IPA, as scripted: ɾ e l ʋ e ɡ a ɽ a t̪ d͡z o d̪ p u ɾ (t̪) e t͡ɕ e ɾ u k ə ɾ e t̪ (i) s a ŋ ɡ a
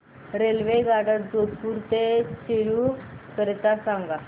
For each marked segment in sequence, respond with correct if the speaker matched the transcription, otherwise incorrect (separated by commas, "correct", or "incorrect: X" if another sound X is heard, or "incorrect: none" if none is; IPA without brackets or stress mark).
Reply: correct, incorrect: a